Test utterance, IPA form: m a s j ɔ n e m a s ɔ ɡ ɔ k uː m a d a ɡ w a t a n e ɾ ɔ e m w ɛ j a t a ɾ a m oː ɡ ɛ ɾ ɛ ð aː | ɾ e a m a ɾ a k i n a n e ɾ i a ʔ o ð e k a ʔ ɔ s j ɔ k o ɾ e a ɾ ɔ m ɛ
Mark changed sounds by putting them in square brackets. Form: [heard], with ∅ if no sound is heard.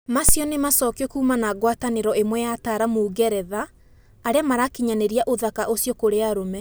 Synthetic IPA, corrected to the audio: m a s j ɔ n e m a s ɔ [k] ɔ k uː m a [n] a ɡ w a t a n e ɾ ɔ e m w ɛ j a t a ɾ a m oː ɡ ɛ ɾ ɛ ð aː | ɾ e a m a ɾ a k i [ɲ] a n e ɾ i a ʔ o ð [a] k a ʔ [o] s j ɔ k o ɾ e a ɾ [o] m ɛ